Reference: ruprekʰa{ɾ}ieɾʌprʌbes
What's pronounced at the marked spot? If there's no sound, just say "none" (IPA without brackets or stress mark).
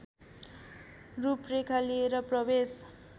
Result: l